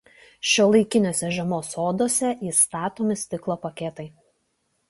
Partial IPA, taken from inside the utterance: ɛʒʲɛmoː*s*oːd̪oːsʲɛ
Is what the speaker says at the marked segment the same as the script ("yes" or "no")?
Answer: yes